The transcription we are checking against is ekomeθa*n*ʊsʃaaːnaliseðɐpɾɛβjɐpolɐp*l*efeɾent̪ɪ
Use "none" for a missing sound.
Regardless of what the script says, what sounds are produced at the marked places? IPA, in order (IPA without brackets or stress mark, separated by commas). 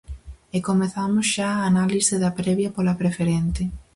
m, ɾ